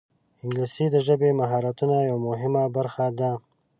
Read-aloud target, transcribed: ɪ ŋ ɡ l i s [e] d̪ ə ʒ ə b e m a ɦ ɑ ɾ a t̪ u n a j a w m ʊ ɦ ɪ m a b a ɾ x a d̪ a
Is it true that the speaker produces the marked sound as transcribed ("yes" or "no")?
no